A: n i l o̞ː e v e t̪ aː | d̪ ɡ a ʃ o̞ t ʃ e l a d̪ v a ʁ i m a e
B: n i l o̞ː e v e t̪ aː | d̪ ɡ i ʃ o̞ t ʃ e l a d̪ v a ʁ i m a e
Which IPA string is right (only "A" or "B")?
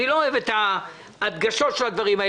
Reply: A